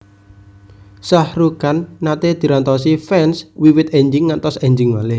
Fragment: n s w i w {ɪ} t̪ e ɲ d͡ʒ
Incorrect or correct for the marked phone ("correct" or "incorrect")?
correct